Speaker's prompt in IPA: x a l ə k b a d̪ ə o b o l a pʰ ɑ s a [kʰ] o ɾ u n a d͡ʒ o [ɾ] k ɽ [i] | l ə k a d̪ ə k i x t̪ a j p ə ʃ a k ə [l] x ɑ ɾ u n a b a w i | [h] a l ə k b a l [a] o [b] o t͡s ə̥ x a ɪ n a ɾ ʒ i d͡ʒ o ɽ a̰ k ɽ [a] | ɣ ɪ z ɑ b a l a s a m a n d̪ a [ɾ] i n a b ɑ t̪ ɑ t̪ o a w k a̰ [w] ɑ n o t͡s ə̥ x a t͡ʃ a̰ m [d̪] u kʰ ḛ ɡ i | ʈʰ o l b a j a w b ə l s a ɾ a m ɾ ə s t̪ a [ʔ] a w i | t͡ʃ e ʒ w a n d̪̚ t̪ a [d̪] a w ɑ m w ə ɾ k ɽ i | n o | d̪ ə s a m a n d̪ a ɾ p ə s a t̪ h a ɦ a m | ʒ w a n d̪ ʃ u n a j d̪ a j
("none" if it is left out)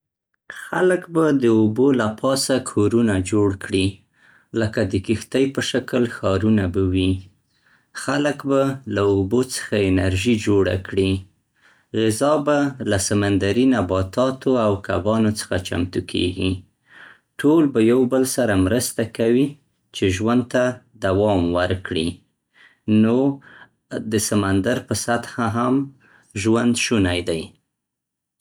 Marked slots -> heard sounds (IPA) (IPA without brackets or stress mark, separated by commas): kʰ, ɽ, i, l, x, a, b, i, ɾ, b, t̪, k, d̪